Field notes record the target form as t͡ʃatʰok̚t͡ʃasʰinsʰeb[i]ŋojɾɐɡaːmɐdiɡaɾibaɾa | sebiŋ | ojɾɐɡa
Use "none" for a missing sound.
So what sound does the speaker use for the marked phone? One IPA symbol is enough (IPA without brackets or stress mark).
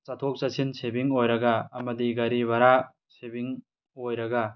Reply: i